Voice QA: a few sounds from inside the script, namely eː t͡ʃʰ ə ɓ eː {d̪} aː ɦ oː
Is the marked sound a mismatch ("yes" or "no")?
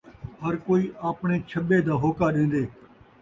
no